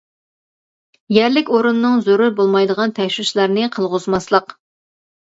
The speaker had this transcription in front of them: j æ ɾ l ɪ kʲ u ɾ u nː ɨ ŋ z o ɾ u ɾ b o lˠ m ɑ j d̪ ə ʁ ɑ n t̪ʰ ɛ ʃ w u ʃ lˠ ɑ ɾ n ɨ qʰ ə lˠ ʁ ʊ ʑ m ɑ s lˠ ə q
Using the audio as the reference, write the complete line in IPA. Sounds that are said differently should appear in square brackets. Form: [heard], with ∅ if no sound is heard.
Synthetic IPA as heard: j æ ɾ l ɪ kʲ [o] ɾ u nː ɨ ŋ z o ɾ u ɾ b o lˠ m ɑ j d̪ ə ʁ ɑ n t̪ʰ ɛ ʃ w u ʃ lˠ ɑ ɾ n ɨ qʰ ə lˠ ʁ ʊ [z] m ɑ s lˠ ə q

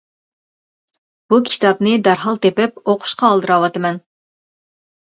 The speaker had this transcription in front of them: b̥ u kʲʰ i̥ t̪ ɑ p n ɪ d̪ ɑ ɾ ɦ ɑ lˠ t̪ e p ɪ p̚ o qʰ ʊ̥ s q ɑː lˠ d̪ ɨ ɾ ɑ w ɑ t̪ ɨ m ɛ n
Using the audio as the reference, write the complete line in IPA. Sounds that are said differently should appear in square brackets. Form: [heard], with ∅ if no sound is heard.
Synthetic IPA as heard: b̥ u kʲʰ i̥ t̪ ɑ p n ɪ d̪ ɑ ɾ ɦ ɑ lˠ t̪ e p ɪ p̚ o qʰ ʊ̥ [ʃ] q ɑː lˠ d̪ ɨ ɾ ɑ w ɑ t̪ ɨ m ɛ n

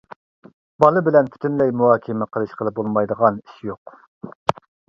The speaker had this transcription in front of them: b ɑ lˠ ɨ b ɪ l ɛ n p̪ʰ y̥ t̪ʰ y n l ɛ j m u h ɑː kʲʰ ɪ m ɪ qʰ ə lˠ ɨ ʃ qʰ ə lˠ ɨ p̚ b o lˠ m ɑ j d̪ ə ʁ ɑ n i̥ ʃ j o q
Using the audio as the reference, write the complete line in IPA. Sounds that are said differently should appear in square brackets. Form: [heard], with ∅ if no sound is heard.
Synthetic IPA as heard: b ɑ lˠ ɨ b ɪ l ɛ n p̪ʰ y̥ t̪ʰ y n l ɛ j m u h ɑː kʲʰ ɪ m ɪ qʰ ə lˠ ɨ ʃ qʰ ə lˠ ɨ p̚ b o lˠ m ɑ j d̪ ə ʁ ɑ n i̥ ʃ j o q

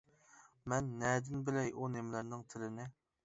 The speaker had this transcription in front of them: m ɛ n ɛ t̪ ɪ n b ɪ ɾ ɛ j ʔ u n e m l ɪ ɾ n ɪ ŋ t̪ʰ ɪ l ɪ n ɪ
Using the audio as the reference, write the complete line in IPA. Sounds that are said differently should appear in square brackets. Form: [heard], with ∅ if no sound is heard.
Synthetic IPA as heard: m ɛ [nː] ɛ [d̪] ɪ n b ɪ [l] ɛ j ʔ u n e m l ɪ ɾ n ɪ ŋ t̪ʰ ɪ l ɪ n ɪ

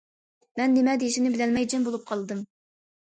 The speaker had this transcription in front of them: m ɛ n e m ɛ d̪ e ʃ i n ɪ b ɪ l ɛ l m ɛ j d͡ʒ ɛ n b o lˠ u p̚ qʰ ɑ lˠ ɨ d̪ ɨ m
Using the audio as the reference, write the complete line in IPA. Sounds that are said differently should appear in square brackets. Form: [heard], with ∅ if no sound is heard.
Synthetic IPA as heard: m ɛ [nː] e m ɛ d̪ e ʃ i n ɪ b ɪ l ɛ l m ɛ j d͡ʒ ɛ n b o lˠ u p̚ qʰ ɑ lˠ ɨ d̪ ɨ m

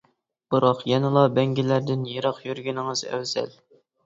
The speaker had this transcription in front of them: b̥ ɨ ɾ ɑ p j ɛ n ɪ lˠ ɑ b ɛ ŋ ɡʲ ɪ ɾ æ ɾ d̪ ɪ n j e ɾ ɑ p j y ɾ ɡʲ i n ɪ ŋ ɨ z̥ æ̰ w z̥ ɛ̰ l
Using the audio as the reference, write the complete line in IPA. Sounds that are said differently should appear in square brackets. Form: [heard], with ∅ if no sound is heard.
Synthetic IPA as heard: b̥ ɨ ɾ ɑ [q] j ɛ n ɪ lˠ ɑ b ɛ ŋ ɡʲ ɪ [l] æ ɾ d̪ ɪ n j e ɾ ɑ [q] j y ɾ ɡʲ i n ɪ ŋ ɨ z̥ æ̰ w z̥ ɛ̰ l

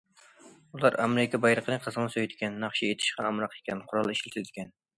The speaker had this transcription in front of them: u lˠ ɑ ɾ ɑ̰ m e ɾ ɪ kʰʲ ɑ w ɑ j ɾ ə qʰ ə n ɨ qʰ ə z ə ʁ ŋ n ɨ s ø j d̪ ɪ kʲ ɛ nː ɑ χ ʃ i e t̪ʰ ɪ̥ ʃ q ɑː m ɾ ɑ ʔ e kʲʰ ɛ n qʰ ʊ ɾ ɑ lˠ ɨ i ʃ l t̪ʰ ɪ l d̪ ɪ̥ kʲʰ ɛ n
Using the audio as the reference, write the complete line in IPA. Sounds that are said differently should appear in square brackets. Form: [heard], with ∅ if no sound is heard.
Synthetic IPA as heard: u lˠ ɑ ɾ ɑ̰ m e ɾ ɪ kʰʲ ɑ [b] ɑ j ɾ ə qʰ ə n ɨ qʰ ə z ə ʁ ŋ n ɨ s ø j d̪ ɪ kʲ ɛ nː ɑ χ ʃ i e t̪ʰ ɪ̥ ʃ q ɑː m ɾ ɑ [q] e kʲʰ ɛ n qʰ ʊ ɾ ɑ lˠ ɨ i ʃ l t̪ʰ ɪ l d̪ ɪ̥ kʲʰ ɛ n

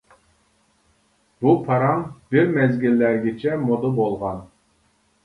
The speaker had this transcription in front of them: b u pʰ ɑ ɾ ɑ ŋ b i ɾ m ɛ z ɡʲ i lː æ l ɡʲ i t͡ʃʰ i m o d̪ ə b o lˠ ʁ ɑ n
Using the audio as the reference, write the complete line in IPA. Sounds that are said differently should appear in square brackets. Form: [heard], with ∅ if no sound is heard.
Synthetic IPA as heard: b u pʰ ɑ ɾ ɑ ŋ b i ɾ m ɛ z ɡʲ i lː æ [ɾ] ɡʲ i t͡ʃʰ [ɛ] m o d̪ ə b o lˠ ʁ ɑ n

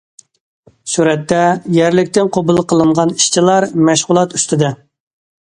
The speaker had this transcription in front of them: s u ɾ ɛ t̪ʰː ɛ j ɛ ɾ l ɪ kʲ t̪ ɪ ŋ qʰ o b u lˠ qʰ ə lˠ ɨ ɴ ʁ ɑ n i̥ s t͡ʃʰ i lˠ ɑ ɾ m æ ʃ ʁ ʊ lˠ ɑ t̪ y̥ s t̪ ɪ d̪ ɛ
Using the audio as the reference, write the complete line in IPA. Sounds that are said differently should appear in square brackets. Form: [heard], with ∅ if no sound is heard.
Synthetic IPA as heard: s u ɾ ɛ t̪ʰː ɛ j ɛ ɾ l ɪ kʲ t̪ ɪ [n] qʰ o b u lˠ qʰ ə lˠ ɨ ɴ ʁ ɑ n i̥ [ʃ] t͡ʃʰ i lˠ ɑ ɾ m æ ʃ ʁ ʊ lˠ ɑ t̪ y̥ s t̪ ɪ d̪ ɛ

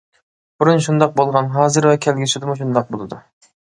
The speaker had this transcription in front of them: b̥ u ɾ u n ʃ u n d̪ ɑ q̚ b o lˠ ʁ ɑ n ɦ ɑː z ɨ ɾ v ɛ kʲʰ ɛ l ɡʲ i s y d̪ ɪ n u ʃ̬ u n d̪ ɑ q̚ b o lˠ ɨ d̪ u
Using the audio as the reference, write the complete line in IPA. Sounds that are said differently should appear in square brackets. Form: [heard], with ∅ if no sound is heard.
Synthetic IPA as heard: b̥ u ɾ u n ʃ u n d̪ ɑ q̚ b o lˠ ʁ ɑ n ɦ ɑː z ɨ ɾ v ɛ kʲʰ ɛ l ɡʲ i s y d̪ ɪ [m] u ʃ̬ u n d̪ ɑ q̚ b o lˠ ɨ d̪ u

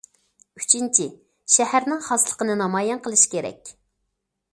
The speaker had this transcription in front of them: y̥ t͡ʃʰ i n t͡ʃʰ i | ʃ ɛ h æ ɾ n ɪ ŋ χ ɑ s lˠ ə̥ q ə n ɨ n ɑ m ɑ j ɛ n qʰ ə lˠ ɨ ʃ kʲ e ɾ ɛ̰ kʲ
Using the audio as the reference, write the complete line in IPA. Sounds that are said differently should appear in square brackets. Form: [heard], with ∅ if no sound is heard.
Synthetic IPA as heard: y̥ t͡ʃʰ i n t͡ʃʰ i | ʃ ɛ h æ ɾ n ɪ ŋ χ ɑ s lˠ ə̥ q ə n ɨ n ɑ m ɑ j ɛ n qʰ ə lˠ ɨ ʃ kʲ e ɾ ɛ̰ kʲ

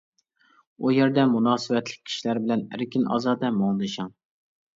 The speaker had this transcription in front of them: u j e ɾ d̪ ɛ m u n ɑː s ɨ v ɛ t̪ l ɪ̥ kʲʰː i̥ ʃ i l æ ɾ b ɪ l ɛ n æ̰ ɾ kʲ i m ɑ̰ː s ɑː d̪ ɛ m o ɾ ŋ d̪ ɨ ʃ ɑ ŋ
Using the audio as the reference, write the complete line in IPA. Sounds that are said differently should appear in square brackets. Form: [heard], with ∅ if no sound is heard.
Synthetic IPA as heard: u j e ɾ d̪ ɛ m u n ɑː s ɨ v ɛ t̪ l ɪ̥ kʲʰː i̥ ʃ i l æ ɾ b ɪ l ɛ n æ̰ ɾ kʲ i [n] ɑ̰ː [z] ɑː d̪ ɛ m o [∅] ŋ d̪ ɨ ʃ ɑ ŋ

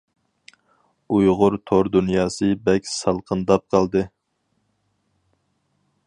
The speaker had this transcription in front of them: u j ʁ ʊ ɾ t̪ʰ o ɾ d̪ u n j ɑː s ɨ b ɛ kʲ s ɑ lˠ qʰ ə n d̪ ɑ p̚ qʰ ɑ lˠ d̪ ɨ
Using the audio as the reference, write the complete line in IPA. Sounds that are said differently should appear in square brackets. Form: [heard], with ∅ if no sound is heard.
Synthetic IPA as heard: u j ʁ ʊ ɾ t̪ʰ o ɾ d̪ u n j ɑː s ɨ b ɛ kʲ s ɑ lˠ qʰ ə n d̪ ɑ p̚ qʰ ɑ lˠ d̪ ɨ

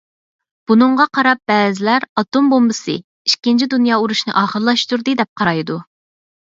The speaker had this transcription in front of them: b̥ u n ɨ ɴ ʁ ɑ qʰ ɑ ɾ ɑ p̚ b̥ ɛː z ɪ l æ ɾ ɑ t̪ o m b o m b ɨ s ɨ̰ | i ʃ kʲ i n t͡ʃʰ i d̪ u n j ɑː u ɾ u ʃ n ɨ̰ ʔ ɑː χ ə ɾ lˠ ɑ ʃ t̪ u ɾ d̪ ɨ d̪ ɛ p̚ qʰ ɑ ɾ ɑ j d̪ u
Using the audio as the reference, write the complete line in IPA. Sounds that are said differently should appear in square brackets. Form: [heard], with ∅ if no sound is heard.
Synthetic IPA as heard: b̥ u n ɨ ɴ ʁ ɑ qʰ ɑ ɾ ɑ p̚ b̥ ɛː z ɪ l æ ɾ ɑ t̪ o m b o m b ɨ s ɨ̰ | i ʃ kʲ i n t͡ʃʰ i d̪ u n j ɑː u ɾ u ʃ n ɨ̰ ʔ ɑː χ ə ɾ lˠ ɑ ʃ t̪ u ɾ d̪ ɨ d̪ ɛ p̚ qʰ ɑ ɾ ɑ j d̪ u

